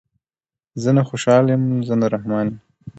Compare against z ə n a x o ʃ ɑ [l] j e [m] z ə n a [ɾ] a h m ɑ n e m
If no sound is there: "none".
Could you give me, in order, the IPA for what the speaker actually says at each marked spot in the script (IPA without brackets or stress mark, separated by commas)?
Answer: l, m, ɾ